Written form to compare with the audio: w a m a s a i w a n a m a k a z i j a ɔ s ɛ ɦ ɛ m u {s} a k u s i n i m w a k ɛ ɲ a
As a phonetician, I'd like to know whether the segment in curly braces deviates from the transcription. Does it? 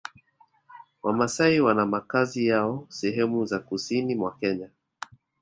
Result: yes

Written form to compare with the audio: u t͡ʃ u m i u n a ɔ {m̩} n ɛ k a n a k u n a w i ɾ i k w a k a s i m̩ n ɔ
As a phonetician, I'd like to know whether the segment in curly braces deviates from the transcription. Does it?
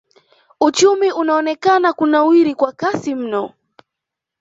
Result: yes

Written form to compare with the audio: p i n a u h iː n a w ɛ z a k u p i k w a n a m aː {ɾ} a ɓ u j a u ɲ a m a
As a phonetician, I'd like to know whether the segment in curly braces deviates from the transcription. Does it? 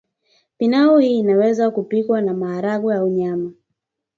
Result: no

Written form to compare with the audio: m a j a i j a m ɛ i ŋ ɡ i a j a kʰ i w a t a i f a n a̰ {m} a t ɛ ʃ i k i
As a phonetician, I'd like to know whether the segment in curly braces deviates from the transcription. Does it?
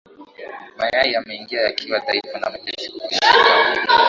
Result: no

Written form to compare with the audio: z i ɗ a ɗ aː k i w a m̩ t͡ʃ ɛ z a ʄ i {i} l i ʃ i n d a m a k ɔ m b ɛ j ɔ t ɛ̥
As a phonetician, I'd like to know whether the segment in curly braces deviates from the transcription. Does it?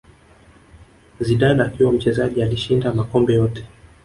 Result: yes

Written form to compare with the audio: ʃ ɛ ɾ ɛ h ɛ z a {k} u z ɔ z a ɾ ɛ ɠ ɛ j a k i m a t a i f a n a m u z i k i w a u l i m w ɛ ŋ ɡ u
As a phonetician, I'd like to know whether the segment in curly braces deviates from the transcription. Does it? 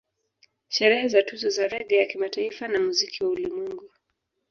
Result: yes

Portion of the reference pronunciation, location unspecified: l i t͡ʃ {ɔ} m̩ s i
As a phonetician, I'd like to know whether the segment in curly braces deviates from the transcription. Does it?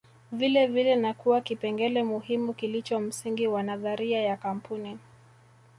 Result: no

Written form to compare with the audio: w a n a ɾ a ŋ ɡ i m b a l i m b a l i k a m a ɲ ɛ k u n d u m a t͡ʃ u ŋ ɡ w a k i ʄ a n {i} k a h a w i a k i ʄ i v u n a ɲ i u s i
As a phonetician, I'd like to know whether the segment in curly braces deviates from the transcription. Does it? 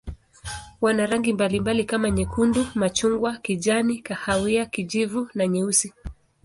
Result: no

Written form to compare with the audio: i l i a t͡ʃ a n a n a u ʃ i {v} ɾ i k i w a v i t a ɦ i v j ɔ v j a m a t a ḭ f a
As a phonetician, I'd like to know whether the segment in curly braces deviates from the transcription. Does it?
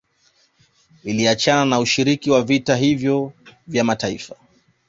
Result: yes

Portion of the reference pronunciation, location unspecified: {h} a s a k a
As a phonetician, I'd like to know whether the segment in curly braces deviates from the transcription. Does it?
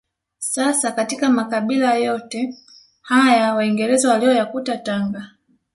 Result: yes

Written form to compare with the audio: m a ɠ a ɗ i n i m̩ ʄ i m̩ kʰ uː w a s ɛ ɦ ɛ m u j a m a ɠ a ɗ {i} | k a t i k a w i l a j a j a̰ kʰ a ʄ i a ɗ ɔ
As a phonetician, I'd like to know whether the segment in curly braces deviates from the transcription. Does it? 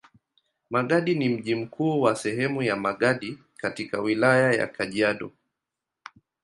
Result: no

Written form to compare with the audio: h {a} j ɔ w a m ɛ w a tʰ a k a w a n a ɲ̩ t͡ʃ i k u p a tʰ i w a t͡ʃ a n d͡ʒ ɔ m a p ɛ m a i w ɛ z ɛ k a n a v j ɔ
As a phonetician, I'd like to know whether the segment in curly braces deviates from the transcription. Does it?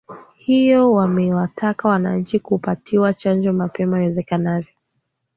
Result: yes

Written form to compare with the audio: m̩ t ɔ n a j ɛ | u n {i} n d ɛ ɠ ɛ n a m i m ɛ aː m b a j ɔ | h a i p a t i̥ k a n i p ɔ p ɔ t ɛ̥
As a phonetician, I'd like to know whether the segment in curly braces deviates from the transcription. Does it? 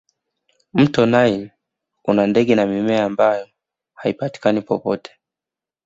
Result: yes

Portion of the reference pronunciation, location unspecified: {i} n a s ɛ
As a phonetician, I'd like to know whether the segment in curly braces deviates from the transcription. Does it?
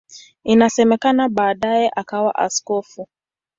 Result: no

